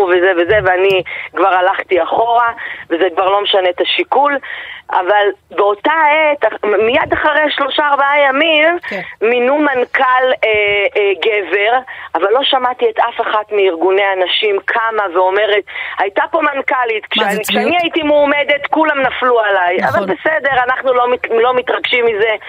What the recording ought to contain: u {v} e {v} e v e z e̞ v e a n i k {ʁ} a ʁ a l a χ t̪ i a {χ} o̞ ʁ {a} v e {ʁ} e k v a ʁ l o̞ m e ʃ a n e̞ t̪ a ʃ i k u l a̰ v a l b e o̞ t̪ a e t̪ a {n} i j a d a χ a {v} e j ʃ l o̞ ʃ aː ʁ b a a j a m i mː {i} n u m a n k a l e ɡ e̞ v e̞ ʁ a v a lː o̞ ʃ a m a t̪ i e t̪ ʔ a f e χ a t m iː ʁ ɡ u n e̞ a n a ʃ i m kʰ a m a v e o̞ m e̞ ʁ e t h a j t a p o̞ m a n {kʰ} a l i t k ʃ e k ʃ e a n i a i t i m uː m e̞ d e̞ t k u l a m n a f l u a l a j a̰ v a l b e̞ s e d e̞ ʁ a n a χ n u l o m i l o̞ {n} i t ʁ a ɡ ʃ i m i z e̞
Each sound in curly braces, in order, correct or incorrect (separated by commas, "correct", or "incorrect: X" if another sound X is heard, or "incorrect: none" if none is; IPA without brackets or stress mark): correct, incorrect: z, incorrect: v, correct, correct, incorrect: z, incorrect: m, incorrect: ʁ, correct, incorrect: k, incorrect: m